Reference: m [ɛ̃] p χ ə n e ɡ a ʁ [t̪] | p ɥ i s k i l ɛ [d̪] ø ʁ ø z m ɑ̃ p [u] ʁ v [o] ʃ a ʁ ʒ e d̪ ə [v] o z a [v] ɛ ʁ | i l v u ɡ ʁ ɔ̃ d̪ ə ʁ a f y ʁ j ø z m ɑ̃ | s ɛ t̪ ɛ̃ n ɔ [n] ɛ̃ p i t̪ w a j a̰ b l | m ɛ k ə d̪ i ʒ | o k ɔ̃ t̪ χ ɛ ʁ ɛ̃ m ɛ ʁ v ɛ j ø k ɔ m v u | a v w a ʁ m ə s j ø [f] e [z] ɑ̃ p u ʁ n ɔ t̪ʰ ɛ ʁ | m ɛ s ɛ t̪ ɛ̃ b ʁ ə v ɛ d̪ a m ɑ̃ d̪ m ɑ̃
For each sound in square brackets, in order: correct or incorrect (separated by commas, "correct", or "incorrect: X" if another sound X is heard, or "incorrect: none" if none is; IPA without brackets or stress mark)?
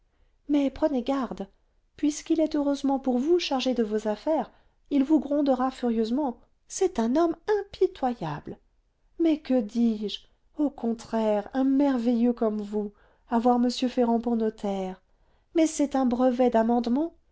incorrect: ɛ, incorrect: d̪, incorrect: t̪, correct, incorrect: u, correct, incorrect: f, incorrect: m, correct, incorrect: ʁ